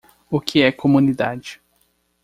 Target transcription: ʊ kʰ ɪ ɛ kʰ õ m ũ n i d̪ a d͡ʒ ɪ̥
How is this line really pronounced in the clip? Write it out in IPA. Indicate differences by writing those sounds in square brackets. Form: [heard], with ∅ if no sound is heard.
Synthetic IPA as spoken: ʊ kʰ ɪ ɛ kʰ [o] m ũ n i d̪ a d͡ʒ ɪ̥